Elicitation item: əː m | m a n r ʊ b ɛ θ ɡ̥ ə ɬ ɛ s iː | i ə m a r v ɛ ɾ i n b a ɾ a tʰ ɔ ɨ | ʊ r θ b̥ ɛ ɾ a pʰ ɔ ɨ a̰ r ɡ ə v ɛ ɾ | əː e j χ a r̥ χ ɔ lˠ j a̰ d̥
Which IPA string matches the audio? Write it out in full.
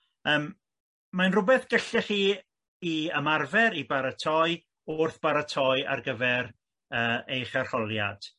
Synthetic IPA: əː m | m a n r ʊ b ɛ θ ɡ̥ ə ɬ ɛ χ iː | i ə m a r v ɛ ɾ i b a ɾ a tʰ ɔ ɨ | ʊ r θ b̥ a ɾ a tʰ ɔ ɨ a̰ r ɡ ə v ɛ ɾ | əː e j χ a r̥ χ ɔ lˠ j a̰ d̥